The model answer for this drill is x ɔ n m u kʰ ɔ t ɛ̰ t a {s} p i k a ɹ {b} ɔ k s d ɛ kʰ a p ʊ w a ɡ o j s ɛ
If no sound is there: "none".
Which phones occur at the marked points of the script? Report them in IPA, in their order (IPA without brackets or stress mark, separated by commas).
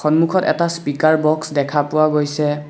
s, b